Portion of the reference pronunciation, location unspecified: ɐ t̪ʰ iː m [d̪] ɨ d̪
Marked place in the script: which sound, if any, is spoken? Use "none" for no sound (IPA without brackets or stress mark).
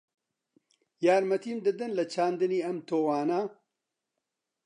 d̪